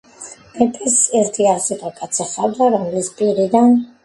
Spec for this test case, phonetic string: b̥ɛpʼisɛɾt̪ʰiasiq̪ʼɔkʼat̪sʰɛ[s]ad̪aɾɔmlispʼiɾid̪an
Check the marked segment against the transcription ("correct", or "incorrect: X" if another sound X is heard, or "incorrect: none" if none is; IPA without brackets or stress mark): incorrect: χ